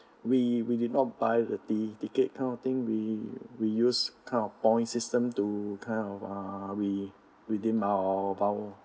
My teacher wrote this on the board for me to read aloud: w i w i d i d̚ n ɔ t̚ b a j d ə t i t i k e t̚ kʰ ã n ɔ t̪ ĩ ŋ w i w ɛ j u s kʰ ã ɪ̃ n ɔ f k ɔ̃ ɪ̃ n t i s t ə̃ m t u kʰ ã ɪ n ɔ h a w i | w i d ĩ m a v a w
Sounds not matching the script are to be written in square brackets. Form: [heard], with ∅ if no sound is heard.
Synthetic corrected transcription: w i w i d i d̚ n ɔ t̚ b a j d ə t i t i k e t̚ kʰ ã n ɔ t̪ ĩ ŋ w i w [i] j u s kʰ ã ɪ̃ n ɔ f [p] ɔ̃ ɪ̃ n [s] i s t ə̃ m t u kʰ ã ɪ n ɔ [f] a w i | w i d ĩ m a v a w